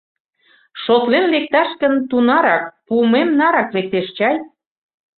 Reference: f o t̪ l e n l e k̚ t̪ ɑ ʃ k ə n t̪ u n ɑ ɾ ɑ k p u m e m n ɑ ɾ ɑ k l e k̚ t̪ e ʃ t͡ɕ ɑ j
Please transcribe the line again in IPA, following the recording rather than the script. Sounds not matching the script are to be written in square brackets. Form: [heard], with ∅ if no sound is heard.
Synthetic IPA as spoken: [ʃ] o t̪ l e n l e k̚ t̪ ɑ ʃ k ə n t̪ u n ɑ ɾ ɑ k p u m e m n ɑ ɾ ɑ k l e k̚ t̪ e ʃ t͡ɕ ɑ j